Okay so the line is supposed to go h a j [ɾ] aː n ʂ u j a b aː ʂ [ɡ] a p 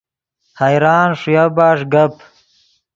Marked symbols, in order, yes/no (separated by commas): yes, yes